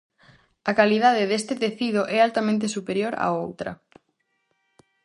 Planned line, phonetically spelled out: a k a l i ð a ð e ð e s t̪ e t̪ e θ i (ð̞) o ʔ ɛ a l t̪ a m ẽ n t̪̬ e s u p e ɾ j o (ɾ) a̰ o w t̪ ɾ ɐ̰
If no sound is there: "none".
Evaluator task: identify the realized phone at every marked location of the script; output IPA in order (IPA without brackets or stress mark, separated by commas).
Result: ð̞, ɾ